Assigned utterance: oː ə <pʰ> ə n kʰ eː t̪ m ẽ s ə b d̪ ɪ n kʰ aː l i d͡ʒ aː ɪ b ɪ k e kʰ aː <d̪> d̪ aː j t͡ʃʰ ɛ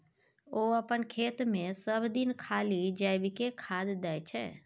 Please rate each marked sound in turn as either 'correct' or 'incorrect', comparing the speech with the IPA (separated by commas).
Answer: incorrect, correct